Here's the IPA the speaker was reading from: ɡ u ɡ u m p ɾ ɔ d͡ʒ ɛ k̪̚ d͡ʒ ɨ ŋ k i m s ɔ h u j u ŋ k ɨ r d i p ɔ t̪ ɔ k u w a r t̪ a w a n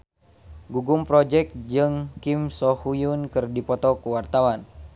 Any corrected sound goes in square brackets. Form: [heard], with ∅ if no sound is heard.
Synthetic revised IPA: ɡ u ɡ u m p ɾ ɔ d͡ʒ ɛ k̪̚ d͡ʒ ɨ ŋ k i m s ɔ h u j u [n] k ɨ r d i p ɔ t̪ ɔ k u w a r t̪ a w a n